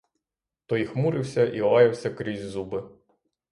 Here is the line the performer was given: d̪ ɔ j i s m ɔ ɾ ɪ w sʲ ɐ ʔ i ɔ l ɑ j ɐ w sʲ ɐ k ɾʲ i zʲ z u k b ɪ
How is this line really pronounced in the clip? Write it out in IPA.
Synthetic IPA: t̪ ɔ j i x m u ɾ ɪ w sʲ ɐ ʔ i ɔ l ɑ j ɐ w sʲ ɐ k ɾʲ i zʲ z u b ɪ

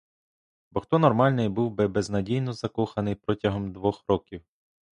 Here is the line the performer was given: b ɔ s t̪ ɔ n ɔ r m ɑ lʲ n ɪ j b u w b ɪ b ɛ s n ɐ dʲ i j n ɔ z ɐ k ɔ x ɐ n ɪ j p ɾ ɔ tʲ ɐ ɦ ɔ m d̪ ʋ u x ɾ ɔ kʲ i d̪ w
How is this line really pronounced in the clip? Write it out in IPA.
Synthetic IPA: b ɔ x t̪ ɔ n ɔ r m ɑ lʲ n ɪ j b u w b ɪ b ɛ z n ɐ dʲ i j n ɔ z ɐ k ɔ x ɐ n ɪ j p ɾ ɔ tʲ ɐ ɦ ɔ m d̪ ʋ ɔ x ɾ ɔ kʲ i w

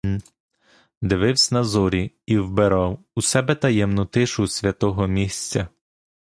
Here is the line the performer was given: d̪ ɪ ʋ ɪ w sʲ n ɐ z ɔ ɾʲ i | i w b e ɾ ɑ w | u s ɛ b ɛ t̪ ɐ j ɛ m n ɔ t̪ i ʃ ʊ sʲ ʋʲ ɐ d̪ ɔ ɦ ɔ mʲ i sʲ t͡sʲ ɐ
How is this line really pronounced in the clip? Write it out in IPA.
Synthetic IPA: d̪ ɪ ʋ ɪ w sʲ n ɐ z ɔ ɾʲ i | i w b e ɾ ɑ w | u s ɛ b ɛ t̪ ɐ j ɛ m n ɔ t̪ ɪ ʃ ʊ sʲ ʋʲ ɐ t̪ ɔ ɦ ɔ mʲ i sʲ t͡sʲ ɐ

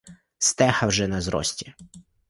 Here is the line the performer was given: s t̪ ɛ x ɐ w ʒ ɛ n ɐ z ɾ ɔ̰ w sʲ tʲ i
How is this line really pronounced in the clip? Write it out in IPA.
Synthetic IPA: s t̪ ɛ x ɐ w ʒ ɛ n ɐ z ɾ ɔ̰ sʲ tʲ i

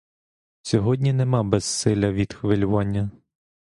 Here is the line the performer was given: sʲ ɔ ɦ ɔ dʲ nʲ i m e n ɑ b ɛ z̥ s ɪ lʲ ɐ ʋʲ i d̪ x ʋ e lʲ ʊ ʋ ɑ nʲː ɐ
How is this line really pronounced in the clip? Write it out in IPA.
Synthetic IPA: sʲ ɔ ɦ ɔ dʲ nʲ i n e m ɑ b ɛ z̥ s ɪ lʲ ɐ ʋʲ i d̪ x ʋ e lʲ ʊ ʋ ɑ nʲː ɐ

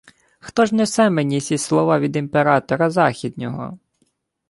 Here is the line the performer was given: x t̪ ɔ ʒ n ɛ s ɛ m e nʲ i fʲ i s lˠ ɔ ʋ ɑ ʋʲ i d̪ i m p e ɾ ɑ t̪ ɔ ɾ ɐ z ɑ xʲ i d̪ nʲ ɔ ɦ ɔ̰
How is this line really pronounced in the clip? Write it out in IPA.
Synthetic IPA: x t̪ ɔ ʒ n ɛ s ɛ m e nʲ i sʲ i s lˠ ɔ ʋ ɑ ʋʲ i d̪ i m p e ɾ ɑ t̪ ɔ ɾ ɐ z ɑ xʲ i d̪ nʲ ɔ ɦ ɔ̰

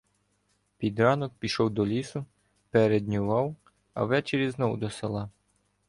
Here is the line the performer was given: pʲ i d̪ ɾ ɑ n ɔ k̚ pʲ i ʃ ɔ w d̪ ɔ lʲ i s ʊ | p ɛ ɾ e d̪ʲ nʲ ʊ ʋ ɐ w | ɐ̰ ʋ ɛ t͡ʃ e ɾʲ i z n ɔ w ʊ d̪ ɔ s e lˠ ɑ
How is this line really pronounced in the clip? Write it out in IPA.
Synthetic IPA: pʲ i d̪ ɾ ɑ n ɔ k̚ pʲ i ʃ ɔ w d̪ ɔ lʲ i s ʊ | p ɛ ɾ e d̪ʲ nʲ ʊ ʋ ɑ w | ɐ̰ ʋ ɛ t͡ʃ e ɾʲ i z n ɔ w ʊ d̪ ɔ s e lˠ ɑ

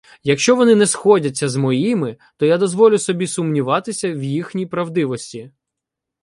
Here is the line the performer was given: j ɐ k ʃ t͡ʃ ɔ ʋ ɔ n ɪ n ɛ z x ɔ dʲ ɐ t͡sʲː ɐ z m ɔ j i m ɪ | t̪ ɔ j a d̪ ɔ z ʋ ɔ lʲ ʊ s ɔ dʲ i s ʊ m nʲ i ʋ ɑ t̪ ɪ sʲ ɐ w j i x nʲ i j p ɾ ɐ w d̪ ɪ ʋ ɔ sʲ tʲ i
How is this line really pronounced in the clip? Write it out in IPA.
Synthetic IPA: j ɐ k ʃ t͡ʃ ɔ ʋ ɔ n ɪ n ɛ s x ɔ dʲ ɐ t͡sʲː ɐ z m ɔ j i m ɪ | t̪ ɔ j a d̪ ɔ z ʋ ɔ lʲ ʊ s ɔ bʲ i s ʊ m nʲ i ʋ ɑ t̪ ɪ sʲ ɐ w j i x nʲ i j p ɾ ɐ w d̪ ɪ ʋ ɔ sʲ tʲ i

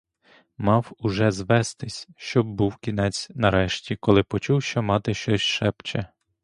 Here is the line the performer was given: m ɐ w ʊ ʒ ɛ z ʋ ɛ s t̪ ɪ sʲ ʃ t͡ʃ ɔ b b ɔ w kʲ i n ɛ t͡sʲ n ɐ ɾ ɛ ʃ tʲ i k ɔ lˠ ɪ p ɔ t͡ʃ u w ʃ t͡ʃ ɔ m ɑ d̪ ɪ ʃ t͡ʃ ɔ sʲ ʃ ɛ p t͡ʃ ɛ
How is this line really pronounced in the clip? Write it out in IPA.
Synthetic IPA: m ɑ w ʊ ʒ ɛ z ʋ ɛ s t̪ ɪ sʲ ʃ t͡ʃ ɔ b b u w kʲ i n ɛ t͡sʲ n ɐ ɾ ɛ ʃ tʲ i k ɔ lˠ ɪ p ɔ t͡ʃ u w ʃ t͡ʃ ɔ m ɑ t̪ ɪ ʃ t͡ʃ ɔ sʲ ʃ ɛ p t͡ʃ ɛ

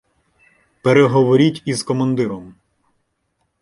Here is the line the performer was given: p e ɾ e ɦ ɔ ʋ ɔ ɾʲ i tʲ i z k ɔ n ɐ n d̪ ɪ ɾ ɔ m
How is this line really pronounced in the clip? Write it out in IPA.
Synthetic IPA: p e ɾ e ɦ ɔ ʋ ɔ ɾʲ i tʲ i z k ɔ m ɐ n d̪ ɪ ɾ ɔ m

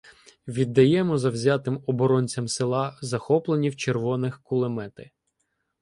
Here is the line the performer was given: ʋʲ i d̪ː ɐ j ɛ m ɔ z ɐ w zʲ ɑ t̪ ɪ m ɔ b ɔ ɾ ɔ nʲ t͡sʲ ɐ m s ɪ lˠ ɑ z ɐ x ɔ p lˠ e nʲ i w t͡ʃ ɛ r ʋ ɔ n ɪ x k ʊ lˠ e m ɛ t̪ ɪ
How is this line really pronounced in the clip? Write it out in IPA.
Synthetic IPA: ʋʲ i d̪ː ɐ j ɛ m ɔ z ɐ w zʲ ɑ t̪ ɪ m ɔ b ɔ ɾ ɔ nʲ t͡sʲ ɐ m s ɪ lˠ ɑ z ɐ x ɔ p lˠ e nʲ i w t͡ʃ e r ʋ ɔ n ɪ x k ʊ lˠ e m ɛ t̪ ɪ

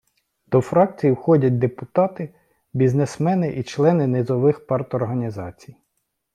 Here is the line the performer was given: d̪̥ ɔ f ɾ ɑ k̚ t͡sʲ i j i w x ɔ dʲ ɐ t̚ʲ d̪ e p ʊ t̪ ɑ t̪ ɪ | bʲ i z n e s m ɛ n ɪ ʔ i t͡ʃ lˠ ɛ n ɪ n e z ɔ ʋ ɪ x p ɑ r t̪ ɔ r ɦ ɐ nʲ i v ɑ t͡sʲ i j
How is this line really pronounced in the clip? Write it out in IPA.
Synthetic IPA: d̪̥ ɔ f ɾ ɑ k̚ t͡sʲ i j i w x ɔ dʲ ɐ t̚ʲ d̪ e p ʊ t̪ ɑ t̪ ɪ | bʲ i z n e s m ɛ n ɪ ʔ i t͡ʃ lˠ ɛ n ɪ n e z ɔ ʋ ɪ x p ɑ r t̪ ɔ r ɦ ɐ nʲ i z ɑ t͡sʲ i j

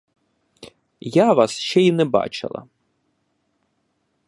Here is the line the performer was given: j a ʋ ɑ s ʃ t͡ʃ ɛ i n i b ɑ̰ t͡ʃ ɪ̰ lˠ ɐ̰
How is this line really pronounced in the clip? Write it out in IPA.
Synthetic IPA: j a ʋ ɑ s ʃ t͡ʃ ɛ i n ɛ b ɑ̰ t͡ʃ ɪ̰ lˠ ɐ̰

